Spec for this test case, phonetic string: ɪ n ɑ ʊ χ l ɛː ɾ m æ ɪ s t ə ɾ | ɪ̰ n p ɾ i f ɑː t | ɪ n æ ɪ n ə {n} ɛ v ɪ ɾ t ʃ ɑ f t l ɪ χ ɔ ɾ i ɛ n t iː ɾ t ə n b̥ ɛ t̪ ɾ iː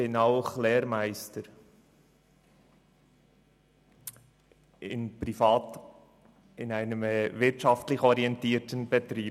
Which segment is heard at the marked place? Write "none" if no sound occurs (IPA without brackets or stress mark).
m